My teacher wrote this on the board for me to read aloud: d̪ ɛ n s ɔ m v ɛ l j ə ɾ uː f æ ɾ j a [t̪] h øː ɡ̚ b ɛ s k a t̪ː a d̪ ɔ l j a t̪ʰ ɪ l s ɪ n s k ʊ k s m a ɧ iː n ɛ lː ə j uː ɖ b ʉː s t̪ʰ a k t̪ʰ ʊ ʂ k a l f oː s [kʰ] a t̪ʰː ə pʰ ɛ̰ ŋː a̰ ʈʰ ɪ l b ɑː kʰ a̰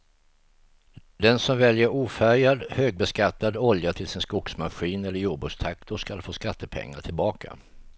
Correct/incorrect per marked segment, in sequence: incorrect: d̪, incorrect: k

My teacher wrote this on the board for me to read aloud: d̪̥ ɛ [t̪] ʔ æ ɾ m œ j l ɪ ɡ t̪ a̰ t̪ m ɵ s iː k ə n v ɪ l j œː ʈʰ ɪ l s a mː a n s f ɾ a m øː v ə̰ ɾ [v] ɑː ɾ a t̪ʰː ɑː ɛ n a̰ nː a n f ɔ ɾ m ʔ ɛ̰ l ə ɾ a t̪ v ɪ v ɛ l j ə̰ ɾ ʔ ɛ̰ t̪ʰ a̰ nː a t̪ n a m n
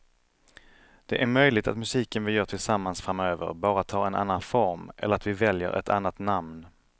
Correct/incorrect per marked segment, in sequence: incorrect: none, incorrect: b

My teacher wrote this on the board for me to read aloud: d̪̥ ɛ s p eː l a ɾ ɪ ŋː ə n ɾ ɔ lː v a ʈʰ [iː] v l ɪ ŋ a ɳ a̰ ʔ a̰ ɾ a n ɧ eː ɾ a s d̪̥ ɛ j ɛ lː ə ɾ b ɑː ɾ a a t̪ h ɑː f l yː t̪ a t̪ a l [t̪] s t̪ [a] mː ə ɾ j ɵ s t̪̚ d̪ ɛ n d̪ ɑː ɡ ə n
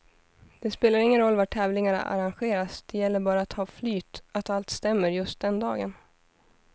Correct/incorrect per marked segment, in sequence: incorrect: ɛː, correct, incorrect: ɛ

